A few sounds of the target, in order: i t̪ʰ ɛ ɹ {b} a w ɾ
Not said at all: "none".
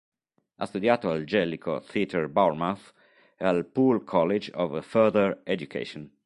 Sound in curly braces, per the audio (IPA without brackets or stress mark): b